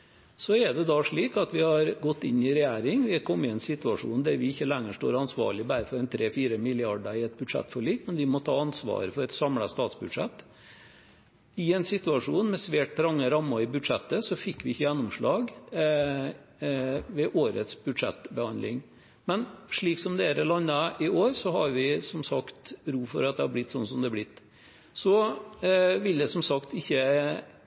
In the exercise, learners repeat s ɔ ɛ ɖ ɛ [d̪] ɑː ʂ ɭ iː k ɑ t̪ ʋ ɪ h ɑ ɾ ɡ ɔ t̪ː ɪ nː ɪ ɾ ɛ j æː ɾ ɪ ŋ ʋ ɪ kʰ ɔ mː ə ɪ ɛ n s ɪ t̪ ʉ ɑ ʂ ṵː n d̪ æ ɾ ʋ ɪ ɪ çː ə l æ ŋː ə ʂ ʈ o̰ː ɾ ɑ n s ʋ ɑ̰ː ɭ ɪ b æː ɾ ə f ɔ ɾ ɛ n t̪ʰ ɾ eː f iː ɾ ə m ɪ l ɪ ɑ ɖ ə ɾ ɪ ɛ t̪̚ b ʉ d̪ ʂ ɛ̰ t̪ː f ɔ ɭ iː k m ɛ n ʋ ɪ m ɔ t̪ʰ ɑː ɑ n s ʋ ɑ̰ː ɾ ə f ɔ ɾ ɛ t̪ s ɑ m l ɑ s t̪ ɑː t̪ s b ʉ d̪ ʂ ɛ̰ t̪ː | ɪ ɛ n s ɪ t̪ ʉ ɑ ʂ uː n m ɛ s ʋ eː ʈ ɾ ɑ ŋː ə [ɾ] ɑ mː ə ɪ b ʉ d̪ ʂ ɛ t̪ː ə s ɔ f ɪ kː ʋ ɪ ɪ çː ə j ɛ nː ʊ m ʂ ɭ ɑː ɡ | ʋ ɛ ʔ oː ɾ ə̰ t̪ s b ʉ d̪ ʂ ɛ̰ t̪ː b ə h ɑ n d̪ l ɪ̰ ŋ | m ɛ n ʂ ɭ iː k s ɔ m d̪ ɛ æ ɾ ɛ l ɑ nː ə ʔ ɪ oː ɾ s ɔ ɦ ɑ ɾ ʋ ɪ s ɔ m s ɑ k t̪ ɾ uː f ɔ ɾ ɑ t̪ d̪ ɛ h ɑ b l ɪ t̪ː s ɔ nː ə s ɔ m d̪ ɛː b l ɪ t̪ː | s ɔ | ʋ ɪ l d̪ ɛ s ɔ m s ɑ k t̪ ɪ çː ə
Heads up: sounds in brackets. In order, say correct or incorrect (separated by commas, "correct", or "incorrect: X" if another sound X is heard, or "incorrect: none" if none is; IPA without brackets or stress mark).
correct, correct